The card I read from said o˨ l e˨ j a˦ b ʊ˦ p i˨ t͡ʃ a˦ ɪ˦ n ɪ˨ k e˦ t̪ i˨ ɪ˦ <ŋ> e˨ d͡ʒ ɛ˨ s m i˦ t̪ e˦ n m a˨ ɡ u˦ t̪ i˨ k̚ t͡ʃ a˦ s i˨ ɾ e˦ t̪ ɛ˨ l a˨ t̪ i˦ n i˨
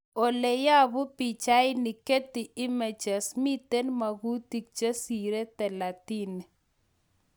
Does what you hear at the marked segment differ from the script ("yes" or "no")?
yes